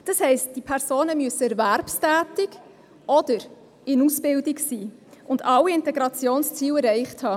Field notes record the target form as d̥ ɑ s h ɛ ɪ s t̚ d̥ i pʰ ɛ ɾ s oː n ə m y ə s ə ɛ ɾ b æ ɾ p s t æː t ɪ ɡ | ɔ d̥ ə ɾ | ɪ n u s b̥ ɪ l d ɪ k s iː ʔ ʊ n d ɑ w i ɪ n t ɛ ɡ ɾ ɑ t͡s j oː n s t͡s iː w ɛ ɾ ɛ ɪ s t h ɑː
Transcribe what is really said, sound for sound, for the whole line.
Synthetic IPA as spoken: d̥ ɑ s h ɛ ɪ s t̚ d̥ i pʰ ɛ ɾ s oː n ə m y ə s ə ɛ ɾ v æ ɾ p s t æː t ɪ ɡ | ɔ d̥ ə ɾ | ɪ n u s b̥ ɪ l d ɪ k s iː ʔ ʊ n d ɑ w i ɪ n t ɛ ɡ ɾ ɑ t͡s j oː n s t͡s iː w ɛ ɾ ɛ ɪ χ t h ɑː

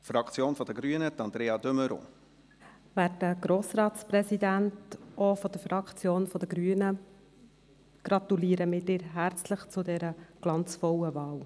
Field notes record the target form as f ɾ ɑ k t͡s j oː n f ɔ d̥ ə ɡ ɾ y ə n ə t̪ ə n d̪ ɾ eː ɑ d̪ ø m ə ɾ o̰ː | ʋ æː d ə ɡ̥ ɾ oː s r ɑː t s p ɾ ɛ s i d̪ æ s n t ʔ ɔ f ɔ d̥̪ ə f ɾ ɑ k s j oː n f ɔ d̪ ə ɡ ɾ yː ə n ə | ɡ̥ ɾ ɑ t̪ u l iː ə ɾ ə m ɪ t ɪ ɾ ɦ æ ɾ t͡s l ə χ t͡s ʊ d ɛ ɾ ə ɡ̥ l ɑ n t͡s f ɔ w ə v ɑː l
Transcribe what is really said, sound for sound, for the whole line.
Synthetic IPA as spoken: f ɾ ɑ k t͡s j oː n f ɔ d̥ ə ɡ ɾ y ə n ə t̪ ɑ n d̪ ɾ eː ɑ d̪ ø m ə ɾ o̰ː | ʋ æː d ə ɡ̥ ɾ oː s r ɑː t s p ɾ ɛ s i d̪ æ n t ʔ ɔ f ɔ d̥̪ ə f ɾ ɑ k t͡s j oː n f ɔ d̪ ə ɡ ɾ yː ə n ə | ɡ̥ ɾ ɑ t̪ u l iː ə ɾ ə m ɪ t ɪ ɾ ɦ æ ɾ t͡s l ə χ t͡s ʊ d ɛ ɾ ə ɡ̥ l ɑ n t͡s f ɔ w ə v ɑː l

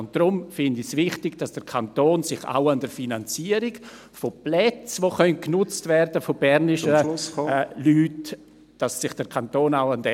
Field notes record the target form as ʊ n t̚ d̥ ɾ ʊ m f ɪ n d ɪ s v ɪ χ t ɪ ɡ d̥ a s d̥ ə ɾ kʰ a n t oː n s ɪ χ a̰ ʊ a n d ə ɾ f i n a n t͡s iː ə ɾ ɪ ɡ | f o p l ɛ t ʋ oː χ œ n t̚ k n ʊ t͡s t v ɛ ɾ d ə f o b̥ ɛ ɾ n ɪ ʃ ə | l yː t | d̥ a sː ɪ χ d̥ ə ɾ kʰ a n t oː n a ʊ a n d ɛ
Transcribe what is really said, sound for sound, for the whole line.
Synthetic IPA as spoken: ʊ n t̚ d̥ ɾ ʊ m f ɪ n d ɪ s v ɪ χ t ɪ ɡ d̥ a s d̥ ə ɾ kʰ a n t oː n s ɪ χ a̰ ʊ a n d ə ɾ f i n a n t͡s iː ə ɾ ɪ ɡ | f o p l ɛ t͡s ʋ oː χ œ n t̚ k n ʊ t͡s t v ɛ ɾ d ə f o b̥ ɛ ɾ n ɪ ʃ ə | l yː t | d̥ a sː ɪ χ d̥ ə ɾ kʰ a n t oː n a ʊ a n d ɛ

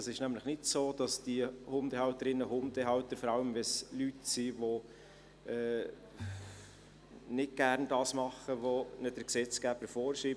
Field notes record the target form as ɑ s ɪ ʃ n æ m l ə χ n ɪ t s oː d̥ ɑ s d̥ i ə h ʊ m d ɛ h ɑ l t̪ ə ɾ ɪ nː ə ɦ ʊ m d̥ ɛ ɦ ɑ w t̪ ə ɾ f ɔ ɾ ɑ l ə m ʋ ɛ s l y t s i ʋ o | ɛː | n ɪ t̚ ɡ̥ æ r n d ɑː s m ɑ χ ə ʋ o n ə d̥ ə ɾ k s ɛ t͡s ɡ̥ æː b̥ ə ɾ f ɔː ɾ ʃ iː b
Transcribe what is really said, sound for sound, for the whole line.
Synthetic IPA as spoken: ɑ s ɪ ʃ n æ m l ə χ n ɪ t s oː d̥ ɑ s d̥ i ə h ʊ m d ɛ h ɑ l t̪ ə ɾ ɪ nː ə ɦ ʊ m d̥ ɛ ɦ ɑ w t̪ ə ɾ f ɔ ɾ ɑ l ə m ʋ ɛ s l y t s i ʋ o | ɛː | n ɪ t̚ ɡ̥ æ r n d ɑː s m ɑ χ ə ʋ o n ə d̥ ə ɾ k s ɛ t͡s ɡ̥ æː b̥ ə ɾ f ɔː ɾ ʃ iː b

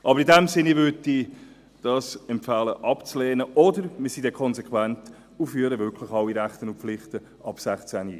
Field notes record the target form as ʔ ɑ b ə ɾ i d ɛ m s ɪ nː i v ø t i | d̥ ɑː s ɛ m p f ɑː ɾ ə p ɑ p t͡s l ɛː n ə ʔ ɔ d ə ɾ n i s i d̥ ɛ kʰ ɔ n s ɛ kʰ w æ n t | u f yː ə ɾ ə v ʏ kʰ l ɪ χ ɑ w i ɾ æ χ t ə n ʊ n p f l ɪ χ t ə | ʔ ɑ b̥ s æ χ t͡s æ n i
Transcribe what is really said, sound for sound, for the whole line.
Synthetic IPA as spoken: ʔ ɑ b ə ɾ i d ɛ m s ɪ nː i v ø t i | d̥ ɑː s ɛ m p f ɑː l ə ʔ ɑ p t͡s l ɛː n ə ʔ ɔ d ə ɾ m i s i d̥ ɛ kʰ ɔ n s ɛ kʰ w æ n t | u f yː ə ɾ ə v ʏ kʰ l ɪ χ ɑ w i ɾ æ χ t ə n ʊ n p f l ɪ χ t ə | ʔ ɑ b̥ s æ χ t͡s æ n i

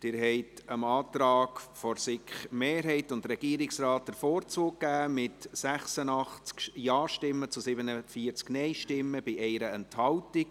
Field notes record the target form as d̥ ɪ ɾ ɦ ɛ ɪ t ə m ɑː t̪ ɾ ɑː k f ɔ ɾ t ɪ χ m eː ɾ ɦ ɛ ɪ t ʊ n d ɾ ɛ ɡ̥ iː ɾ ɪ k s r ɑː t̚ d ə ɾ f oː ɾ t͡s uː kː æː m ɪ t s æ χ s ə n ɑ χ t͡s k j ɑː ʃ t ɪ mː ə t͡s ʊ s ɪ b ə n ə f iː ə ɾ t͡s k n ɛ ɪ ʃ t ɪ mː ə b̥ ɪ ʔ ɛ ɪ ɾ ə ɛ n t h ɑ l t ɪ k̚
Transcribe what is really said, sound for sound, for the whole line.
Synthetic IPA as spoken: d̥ ɪ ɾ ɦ ɛ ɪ t ə m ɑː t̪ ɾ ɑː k f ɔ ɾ s ɪ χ m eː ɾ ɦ ɛ ɪ t ʊ n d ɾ ɛ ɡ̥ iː ɾ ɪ k s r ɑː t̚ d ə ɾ f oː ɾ t͡s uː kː æː m ɪ t s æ χ s ə n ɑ χ t͡s k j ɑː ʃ t ɪ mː ə t͡s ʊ s ɪ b ə n ə f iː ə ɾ t͡s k n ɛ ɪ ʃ t ɪ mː ə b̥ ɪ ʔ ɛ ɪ ɾ ə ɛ n t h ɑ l t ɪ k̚

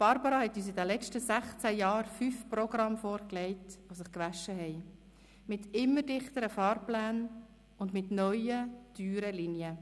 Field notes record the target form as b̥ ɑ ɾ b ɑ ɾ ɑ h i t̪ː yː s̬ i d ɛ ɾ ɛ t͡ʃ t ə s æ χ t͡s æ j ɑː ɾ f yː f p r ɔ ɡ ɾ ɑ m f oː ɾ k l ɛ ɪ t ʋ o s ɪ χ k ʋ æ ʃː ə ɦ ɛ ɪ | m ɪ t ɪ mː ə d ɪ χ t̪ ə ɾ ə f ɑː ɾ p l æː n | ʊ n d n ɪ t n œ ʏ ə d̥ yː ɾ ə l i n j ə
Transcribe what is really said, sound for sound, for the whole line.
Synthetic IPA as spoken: b̥ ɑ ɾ b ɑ ɾ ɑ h ɛ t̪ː yː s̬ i d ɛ l ɛ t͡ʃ t ə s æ χ t͡s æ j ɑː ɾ f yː f p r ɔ ɡ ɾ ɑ m f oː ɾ k l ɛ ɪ t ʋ o s ɪ χ k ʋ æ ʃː ə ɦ ɛ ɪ | m ɪ t ɪ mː ə d ɪ χ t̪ ə ɾ ə f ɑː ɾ p l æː n | ʊ n d m ɪ t n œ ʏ ə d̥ yː ɾ ə l i n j ə

